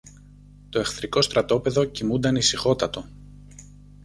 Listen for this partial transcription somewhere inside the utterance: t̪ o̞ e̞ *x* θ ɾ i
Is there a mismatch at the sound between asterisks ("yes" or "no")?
no